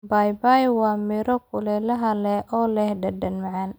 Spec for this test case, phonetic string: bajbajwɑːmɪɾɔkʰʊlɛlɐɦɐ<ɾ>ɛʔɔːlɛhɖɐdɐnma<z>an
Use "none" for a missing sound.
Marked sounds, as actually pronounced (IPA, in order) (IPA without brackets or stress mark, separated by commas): l, ʕ